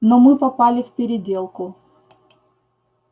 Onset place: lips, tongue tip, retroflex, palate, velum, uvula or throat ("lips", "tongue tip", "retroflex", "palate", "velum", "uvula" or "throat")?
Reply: tongue tip